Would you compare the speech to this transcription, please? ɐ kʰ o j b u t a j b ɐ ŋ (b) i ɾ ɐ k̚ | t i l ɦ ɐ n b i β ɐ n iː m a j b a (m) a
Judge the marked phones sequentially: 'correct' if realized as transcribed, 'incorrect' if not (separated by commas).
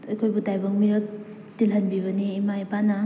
incorrect, incorrect